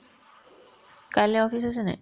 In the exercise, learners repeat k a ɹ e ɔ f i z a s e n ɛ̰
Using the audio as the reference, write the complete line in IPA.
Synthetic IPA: k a l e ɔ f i s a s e n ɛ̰